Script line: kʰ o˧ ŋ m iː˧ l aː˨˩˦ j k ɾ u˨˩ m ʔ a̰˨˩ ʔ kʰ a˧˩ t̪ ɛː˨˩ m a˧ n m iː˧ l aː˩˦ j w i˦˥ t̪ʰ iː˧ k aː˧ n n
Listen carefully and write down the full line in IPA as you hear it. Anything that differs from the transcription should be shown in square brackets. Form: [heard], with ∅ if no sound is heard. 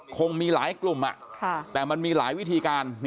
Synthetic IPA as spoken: kʰ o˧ ŋ m iː˧ l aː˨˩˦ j k [l] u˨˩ m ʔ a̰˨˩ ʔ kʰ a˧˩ t̪ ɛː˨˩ m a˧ n m iː˧ l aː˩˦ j w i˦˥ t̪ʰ iː˧ k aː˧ n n